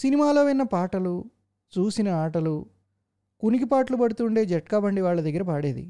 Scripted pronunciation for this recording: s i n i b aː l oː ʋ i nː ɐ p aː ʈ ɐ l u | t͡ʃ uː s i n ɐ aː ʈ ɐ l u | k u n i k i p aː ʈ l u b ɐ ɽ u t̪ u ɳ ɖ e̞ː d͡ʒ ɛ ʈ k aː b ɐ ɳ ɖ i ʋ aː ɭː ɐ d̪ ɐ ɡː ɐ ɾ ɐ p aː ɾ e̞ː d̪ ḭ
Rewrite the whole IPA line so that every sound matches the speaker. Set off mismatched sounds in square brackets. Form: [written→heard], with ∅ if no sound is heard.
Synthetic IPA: s i n i [b→m] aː l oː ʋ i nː ɐ p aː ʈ ɐ l u | t͡ʃ uː s i n ɐ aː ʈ ɐ l u | k u n i k i p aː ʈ l u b ɐ ɽ u t̪ u ɳ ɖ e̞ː d͡ʒ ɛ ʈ k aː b ɐ ɳ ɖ i ʋ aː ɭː ɐ d̪ ɐ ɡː ɐ ɾ ɐ p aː [ɾ→ɽ] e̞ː d̪ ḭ